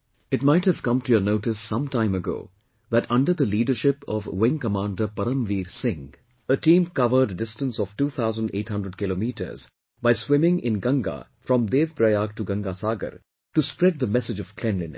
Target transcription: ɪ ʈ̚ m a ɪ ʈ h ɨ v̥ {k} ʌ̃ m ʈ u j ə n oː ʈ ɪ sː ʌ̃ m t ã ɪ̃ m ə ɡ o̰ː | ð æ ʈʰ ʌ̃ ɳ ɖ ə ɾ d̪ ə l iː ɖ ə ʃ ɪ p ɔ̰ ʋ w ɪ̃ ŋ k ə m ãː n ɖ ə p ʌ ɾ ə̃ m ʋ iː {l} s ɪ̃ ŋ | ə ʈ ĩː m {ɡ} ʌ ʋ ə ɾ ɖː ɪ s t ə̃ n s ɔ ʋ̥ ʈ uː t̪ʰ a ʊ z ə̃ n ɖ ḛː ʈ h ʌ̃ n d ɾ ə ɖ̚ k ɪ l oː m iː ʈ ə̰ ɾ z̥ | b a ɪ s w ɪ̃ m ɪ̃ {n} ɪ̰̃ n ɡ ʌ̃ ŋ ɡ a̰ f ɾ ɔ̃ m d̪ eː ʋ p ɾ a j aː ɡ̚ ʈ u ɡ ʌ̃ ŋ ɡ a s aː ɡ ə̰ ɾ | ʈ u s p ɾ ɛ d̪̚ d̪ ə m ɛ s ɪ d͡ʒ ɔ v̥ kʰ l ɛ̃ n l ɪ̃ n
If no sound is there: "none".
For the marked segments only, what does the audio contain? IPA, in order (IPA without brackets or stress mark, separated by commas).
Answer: k, ɾ, k, ŋ